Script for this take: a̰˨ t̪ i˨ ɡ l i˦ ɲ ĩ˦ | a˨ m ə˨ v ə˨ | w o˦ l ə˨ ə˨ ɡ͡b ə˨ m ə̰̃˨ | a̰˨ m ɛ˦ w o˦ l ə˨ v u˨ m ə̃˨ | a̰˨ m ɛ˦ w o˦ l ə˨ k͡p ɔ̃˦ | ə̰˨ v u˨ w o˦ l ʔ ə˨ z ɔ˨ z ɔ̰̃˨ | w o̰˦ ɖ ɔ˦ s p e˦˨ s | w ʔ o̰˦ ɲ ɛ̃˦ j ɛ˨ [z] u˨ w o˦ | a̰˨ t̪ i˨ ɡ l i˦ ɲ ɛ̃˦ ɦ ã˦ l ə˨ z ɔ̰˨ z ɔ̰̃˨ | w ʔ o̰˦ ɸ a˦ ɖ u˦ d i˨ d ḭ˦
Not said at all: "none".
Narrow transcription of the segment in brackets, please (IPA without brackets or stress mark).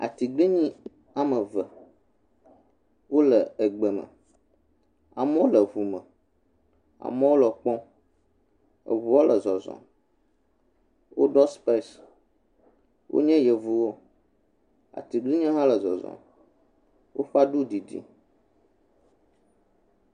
v